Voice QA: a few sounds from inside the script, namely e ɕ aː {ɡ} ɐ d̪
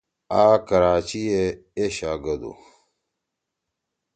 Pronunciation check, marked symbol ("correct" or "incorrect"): correct